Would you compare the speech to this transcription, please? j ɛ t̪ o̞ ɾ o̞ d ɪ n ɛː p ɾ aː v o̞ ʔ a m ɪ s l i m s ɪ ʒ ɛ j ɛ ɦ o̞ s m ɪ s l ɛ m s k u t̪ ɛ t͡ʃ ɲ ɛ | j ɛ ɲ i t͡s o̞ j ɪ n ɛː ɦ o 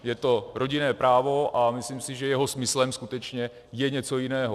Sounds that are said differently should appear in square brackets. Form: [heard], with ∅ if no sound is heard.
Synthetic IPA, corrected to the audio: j ɛ t̪ o̞ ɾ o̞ [ɟ] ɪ n ɛː p ɾ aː v o̞ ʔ a m ɪ s l i m s ɪ ʒ ɛ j ɛ ɦ o̞ s m ɪ s l ɛ m s k u t̪ ɛ t͡ʃ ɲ ɛ | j ɛ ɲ [ɛ] t͡s o̞ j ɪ n ɛː ɦ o